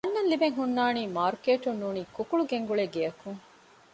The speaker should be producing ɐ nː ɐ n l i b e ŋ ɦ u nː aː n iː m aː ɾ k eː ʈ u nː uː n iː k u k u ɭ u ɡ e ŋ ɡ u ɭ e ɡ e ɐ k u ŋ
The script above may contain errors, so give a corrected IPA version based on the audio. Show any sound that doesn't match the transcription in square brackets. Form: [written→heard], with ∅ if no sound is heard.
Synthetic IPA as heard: ɐ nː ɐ n l i b e ŋ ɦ u nː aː n iː m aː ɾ k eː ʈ u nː uː n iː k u k u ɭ u ɡ e ŋ ɡ u ɭ e ɡ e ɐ k u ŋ